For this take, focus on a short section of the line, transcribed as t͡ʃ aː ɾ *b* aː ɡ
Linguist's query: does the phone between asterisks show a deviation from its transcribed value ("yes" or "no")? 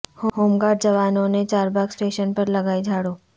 no